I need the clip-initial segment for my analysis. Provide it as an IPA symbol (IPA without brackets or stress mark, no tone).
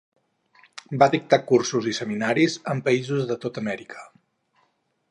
b